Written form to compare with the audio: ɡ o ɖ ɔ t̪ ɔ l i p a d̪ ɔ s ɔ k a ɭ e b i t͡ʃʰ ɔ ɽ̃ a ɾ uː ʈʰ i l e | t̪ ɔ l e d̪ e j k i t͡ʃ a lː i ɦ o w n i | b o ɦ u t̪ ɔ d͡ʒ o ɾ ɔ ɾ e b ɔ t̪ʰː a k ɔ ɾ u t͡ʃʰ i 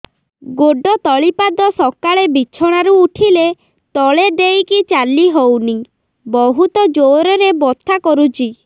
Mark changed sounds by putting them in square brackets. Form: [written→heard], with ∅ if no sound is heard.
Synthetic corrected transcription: ɡ o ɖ ɔ t̪ ɔ [l→ɭ] i p a d̪ ɔ s ɔ k a ɭ e b i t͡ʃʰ ɔ ɽ̃ a ɾ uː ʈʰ i l e | t̪ ɔ [l→ɭ] e d̪ e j k i t͡ʃ a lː i ɦ o w n i | b [o→ɔ] ɦ u t̪ ɔ d͡ʒ o ɾ ɔ ɾ e b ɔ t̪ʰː a k ɔ ɾ u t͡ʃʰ i